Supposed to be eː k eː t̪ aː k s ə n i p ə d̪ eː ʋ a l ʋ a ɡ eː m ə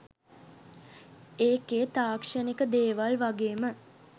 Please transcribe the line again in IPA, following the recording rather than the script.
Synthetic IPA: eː k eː t̪ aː k ʂ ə n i k ə d̪ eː ʋ a l ʋ a ɡ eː m ə

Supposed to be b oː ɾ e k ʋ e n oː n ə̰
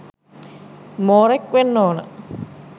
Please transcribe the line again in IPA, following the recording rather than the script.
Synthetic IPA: m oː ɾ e k ʋ e nː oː n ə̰

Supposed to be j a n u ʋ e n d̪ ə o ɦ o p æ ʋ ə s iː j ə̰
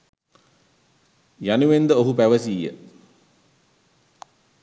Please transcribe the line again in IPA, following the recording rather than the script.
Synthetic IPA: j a n u ʋ e n d̪ ə o ɦ u p æ ʋ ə s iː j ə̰

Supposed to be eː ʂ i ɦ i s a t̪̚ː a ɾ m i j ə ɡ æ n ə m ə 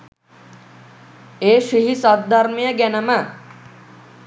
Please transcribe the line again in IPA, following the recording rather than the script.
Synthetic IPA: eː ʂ i ɦ i s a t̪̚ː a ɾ m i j ə ɡ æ n ə m ə

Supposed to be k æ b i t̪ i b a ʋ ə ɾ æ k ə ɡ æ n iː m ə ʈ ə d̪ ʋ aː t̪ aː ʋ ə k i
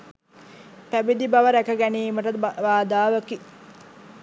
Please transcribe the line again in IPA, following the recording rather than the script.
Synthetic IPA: p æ b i d̪ i b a ʋ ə ɾ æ k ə ɡ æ n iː m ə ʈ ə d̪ ʋ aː d̪ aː ʋ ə k i

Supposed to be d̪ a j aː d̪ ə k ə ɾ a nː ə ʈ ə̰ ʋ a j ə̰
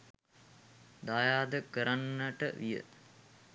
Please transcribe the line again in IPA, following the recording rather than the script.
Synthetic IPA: d̪ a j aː d̪ ə k ə ɾ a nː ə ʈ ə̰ ʋ i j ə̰

